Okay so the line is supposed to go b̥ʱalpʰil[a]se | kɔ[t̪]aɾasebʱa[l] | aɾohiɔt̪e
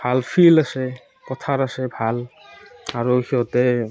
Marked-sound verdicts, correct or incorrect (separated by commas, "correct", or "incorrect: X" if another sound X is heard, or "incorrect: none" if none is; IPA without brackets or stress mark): correct, incorrect: t̪ʰ, correct